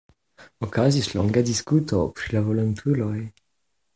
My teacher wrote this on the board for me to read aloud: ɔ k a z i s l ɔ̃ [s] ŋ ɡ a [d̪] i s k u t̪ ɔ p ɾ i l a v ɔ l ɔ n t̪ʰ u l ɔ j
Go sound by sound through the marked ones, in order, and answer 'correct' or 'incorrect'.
incorrect: none, correct

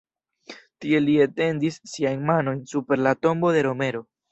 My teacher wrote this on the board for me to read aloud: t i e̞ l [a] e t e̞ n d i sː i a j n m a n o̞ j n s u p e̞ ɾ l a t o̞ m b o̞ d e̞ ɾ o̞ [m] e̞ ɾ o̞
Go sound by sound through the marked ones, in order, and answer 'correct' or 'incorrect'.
incorrect: i, correct

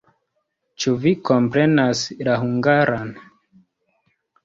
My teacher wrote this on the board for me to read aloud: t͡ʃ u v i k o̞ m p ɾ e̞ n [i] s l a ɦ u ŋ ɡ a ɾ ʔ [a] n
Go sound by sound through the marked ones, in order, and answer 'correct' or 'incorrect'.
incorrect: a, correct

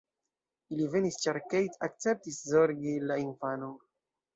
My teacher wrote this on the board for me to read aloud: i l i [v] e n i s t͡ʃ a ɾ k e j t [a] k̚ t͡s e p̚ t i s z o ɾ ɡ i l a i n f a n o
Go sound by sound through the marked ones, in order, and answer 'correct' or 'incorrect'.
correct, correct

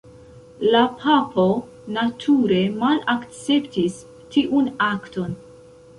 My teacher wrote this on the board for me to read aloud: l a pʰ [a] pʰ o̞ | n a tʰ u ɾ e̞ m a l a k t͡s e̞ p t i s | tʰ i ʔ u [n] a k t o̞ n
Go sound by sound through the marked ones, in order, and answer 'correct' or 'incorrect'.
correct, correct

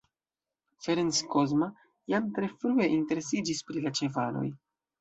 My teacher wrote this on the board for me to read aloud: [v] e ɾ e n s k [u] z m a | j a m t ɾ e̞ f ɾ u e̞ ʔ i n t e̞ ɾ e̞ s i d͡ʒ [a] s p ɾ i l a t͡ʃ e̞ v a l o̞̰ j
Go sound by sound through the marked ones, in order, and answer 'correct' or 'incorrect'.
incorrect: f, incorrect: o, incorrect: i

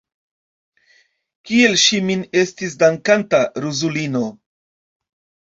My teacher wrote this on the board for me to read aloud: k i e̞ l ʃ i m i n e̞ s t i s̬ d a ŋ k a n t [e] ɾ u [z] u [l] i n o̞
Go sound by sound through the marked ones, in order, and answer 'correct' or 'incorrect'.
incorrect: a, correct, correct

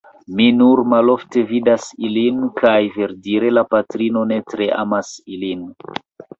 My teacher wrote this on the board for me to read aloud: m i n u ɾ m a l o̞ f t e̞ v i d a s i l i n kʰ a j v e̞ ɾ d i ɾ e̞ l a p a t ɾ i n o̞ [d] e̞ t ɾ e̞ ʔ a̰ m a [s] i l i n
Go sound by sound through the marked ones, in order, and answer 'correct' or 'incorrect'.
incorrect: n, correct

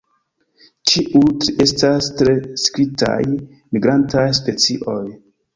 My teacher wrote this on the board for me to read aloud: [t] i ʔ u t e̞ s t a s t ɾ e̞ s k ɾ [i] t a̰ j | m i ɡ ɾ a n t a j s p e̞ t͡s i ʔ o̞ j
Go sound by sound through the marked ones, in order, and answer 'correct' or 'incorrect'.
incorrect: t͡ʃ, correct

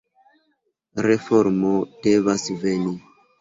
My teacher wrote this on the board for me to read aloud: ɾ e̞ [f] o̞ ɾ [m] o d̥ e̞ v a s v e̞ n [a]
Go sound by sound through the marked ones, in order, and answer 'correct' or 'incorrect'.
correct, correct, incorrect: i

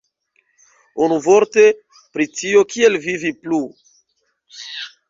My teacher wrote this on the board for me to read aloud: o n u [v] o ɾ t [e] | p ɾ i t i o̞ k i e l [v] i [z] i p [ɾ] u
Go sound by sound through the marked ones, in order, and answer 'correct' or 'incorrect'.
correct, correct, correct, incorrect: v, incorrect: l

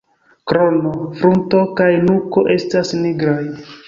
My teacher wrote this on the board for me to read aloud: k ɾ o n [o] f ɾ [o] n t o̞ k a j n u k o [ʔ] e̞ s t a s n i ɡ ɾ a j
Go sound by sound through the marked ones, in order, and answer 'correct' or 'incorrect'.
correct, incorrect: u, correct

